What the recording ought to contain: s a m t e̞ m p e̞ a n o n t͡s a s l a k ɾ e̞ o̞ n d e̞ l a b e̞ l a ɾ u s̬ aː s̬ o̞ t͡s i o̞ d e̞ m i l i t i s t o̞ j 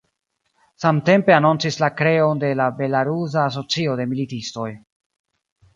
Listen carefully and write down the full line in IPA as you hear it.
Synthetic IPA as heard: s a m t e̞ m p e̞ a n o n t͡s i s l a k ɾ e̞ o̞ n d e̞ l a b e̞ l a ɾ u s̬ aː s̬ o̞ t͡s i o̞ d e̞ m i l i t i s t o̞ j